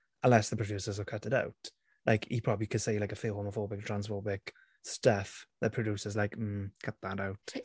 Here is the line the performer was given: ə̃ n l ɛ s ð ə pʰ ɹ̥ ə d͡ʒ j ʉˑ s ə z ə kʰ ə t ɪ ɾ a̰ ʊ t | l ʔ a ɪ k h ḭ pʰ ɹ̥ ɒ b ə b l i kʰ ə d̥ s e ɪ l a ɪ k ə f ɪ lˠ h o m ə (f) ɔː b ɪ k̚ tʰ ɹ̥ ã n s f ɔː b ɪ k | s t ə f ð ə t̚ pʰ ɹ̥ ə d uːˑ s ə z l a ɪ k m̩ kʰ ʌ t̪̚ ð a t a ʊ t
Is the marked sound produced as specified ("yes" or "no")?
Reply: yes